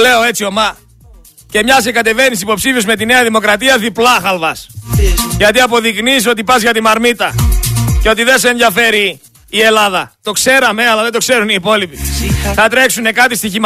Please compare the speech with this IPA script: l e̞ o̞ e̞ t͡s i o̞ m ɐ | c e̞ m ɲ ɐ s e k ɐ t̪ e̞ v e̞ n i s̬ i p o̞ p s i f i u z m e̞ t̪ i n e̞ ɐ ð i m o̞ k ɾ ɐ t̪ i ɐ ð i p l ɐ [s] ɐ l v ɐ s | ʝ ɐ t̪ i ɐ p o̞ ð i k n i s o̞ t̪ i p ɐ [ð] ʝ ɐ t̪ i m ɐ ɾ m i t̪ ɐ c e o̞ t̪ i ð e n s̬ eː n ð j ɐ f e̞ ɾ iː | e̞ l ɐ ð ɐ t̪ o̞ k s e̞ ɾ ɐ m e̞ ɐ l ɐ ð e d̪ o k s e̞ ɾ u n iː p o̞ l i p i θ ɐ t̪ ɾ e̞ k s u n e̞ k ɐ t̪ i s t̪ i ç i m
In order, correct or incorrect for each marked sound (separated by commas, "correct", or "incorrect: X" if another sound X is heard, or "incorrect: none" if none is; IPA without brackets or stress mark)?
incorrect: x, incorrect: z